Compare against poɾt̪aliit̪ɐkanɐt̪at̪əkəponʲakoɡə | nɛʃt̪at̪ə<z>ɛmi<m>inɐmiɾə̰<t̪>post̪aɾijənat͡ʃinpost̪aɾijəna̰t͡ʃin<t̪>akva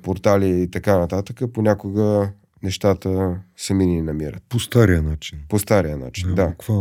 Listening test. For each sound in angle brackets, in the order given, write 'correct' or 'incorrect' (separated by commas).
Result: incorrect, incorrect, correct, incorrect